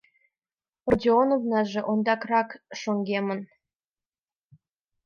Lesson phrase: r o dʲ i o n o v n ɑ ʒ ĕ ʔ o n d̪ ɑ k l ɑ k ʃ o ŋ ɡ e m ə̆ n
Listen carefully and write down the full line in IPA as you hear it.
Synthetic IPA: r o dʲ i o n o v n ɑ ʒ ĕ ʔ o n d̪ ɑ k r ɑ k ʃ o ŋ ɡ e m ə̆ n